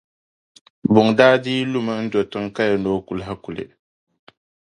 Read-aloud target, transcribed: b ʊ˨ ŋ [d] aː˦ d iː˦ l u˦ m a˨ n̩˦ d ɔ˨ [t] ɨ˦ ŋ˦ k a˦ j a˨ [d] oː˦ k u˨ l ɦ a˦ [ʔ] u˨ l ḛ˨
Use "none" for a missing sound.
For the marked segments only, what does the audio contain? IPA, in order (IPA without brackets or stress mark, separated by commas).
d, t, n, k